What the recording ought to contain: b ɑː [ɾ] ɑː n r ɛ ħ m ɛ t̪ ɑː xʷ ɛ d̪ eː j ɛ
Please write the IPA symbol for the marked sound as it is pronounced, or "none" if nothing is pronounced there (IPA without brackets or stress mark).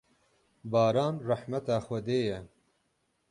ɾ